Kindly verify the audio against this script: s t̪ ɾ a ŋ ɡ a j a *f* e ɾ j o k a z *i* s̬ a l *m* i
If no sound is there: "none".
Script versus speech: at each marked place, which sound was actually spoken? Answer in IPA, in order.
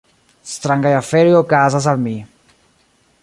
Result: f, a, m

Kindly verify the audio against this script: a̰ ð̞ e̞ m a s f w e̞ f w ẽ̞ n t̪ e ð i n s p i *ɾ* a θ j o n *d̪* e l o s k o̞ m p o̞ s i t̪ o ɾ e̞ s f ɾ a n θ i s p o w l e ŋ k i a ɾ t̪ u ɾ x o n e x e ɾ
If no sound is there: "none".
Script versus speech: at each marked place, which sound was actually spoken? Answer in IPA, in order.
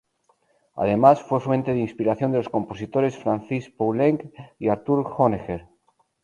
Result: ɾ, d̪

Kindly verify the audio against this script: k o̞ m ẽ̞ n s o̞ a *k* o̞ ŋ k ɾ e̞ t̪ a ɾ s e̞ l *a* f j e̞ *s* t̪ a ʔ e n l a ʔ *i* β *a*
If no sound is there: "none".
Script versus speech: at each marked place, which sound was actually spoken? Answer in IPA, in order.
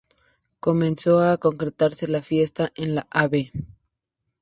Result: k, a, s, a, e

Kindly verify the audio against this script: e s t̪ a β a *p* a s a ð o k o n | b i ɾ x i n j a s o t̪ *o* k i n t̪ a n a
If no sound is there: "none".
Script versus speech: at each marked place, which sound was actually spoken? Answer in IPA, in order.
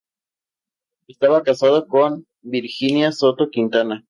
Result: k, o

